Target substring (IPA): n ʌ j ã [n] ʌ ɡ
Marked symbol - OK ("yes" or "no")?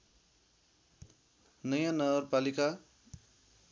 yes